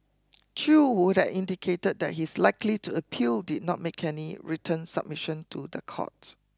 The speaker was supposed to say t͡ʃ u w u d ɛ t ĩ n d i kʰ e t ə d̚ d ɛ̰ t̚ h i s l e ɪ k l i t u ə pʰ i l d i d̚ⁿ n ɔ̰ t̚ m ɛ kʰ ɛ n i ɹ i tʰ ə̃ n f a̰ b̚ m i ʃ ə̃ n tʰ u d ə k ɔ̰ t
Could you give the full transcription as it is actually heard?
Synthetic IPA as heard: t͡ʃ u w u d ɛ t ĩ n d i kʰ e t ə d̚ d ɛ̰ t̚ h i s l a ɪ k l i t u ə pʰ i l d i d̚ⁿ n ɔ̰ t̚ m e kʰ ɛ n i ɹ i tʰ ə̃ n s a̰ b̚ m i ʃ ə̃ n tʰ u d ə kʰ ɔ̰ t